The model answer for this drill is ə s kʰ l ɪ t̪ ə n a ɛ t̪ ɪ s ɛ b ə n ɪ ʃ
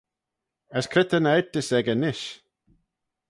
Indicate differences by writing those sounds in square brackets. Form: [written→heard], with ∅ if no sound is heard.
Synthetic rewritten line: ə s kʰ [l→ɾ] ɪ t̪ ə n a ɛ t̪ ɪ s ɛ [b→ɡ] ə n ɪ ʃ